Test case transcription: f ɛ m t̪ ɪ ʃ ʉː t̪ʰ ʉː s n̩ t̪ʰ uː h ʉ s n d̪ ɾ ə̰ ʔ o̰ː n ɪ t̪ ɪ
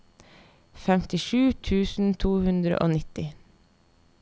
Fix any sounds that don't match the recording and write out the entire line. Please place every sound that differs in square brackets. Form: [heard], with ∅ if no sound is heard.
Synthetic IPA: f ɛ m t̪ ɪ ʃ ʉː t̪ʰ ʉː s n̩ t̪ʰ uː h ʉ [∅] n d̪ ɾ ə̰ ʔ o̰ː n ɪ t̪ ɪ

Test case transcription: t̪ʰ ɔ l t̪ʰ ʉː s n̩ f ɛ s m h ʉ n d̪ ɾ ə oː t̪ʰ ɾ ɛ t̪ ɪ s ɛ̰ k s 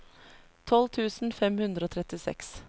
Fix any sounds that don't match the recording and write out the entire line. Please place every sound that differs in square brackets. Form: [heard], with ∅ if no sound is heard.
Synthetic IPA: t̪ʰ ɔ l t̪ʰ ʉː s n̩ f ɛ [∅] m h ʉ n d̪ ɾ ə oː t̪ʰ ɾ ɛ t̪ ɪ s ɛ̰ k s

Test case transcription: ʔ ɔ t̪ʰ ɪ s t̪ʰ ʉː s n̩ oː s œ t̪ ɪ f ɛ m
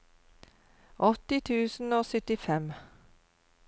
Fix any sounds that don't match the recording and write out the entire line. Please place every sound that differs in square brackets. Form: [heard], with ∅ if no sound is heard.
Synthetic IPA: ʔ ɔ [t̪] ɪ [∅] t̪ʰ ʉː s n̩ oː s œ t̪ ɪ f ɛ m

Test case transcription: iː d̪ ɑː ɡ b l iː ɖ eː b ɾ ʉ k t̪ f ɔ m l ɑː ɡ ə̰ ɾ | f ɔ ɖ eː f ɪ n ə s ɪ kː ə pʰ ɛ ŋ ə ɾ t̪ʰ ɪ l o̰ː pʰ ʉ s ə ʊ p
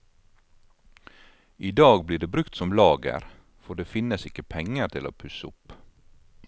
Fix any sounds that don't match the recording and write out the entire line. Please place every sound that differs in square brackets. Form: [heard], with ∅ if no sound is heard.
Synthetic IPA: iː d̪ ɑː ɡ b l iː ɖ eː b ɾ ʉ k t̪ [s] ɔ m l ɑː ɡ ə̰ ɾ | f ɔ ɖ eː f ɪ n ə s ɪ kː ə pʰ ɛ ŋ ə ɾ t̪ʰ ɪ l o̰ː pʰ ʉ s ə ʊ p

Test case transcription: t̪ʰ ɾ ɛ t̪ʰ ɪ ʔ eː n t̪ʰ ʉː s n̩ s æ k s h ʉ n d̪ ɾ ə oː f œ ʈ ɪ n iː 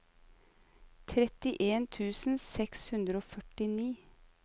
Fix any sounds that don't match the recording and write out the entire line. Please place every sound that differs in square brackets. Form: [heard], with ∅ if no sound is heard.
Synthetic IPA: t̪ʰ ɾ ɛ [t̪] ɪ ʔ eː n t̪ʰ ʉː s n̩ s [ɛ] k s h ʉ n d̪ ɾ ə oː f œ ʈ ɪ n iː

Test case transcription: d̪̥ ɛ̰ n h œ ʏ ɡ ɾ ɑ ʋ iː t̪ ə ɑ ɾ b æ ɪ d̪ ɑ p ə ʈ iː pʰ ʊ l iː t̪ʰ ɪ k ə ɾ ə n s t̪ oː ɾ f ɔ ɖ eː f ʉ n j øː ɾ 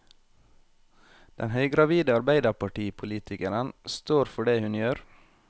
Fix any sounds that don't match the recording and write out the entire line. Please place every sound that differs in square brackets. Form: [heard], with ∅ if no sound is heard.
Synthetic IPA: d̪̥ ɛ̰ n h œ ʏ ɡ ɾ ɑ ʋ iː [d̪] ə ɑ ɾ b æ ɪ d̪ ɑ p [ɑ] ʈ iː pʰ ʊ l iː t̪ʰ ɪ k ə ɾ ə n s t̪ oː ɾ f ɔ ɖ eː [h] ʉ n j øː ɾ

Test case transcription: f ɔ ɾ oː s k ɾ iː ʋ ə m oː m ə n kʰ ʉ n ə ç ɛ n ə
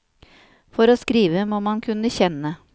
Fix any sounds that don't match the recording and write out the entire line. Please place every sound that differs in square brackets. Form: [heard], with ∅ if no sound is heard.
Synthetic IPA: f ɔ ɾ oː s k ɾ iː ʋ ə m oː m [ɑ] n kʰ ʉ n ə ç ɛ n ə

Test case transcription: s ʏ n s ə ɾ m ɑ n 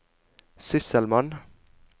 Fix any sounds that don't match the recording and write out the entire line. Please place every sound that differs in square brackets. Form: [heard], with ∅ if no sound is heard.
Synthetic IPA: s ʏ [∅] s ə [l] m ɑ n

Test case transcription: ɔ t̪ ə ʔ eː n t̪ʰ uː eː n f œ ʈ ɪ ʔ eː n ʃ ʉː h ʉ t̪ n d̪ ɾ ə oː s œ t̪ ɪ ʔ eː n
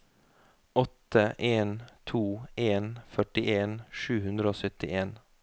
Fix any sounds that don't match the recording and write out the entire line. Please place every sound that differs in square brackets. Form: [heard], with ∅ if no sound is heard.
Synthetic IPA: ɔ t̪ ə ʔ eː n t̪ʰ uː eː n f œ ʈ ɪ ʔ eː n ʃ ʉː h ʉ [∅] n d̪ ɾ ə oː s œ t̪ ɪ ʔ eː n

